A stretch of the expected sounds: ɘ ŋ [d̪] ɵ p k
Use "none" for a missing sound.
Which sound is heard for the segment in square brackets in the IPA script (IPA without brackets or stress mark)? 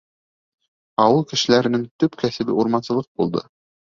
t̪